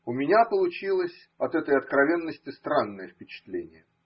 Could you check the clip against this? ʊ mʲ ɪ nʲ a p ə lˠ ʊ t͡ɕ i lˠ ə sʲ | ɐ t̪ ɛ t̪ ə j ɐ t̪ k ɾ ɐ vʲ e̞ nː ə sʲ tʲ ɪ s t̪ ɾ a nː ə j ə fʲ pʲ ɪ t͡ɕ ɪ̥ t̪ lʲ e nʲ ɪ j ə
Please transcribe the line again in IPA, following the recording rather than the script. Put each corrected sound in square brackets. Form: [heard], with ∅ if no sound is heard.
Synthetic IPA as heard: ʊ mʲ ɪ nʲ a p ə lˠ ʊ t͡ɕ i lˠ ə sʲ | ɐ t̪ ɛ t̪ ə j ɐ t̪ k ɾ ɐ vʲ e̞ nː ə sʲ tʲ ɪ s t̪ ɾ a nː ə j ə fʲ pʲ ɪ t͡ɕ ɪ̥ t̪ lʲ e nʲ ɪ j ə

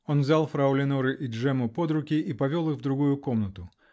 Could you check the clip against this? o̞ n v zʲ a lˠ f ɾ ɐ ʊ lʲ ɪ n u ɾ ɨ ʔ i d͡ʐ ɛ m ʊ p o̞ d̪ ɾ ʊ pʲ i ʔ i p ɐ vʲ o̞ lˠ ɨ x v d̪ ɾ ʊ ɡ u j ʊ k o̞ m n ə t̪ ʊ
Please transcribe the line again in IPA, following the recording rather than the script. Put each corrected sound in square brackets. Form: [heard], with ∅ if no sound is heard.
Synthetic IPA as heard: o̞ n v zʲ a lˠ f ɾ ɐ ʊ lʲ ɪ n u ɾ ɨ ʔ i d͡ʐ ɛ m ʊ p o̞ d̪ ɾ ʊ [kʲ] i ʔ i p ɐ vʲ o̞ lˠ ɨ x v d̪ ɾ ʊ ɡ u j ʊ k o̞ m n ə t̪ ʊ

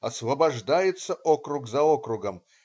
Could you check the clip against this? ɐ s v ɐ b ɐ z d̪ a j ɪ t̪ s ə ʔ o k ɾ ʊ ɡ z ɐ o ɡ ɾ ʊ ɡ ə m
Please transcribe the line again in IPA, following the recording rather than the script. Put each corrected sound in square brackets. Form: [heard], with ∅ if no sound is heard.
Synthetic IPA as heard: ɐ s v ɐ b ɐ [ʐ] d̪ a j ɪ t̪ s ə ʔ o k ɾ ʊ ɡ z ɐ o [k] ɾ ʊ ɡ ə m

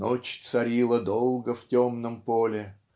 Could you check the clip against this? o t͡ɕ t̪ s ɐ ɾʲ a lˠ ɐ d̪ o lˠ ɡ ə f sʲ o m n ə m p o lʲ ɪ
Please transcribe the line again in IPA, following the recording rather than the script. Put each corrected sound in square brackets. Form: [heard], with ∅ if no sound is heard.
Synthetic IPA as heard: o t͡ɕ t̪ s ɐ ɾʲ [i] lˠ [ə] d̪ o lˠ ɡ ə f [tʲ] o m n ə m p o lʲ ɪ

